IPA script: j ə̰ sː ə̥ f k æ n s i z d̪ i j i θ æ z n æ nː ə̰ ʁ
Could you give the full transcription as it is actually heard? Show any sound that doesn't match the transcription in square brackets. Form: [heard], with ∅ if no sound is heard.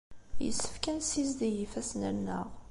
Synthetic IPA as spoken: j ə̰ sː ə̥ f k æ n s i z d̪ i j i [f] æ [s] n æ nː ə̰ ʁ